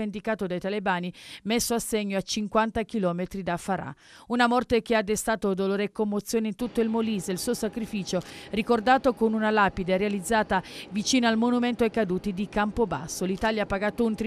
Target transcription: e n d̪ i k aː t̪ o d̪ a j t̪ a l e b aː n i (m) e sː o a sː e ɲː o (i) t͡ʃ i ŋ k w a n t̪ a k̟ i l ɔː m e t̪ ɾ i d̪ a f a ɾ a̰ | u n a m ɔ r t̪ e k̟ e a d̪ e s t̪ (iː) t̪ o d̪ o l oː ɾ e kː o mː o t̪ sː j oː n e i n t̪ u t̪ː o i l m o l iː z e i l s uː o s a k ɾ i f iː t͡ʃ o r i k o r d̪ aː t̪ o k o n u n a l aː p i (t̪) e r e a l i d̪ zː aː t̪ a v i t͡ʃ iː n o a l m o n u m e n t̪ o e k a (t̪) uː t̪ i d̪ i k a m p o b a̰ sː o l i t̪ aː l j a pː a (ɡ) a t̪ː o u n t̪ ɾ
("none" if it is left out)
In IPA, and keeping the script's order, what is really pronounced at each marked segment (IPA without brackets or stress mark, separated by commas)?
m, a, aː, d̪, d̪, ɡ